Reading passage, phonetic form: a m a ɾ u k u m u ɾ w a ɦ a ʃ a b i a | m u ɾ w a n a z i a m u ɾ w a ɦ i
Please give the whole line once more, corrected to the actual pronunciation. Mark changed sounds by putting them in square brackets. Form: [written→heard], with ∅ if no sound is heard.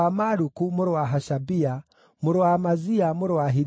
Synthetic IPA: a m a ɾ u k u m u ɾ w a ɦ a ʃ a b i a | m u ɾ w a [n→m] a z i a m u ɾ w a ɦ i